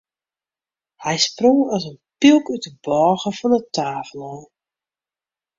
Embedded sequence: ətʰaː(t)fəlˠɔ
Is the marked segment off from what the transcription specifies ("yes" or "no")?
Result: yes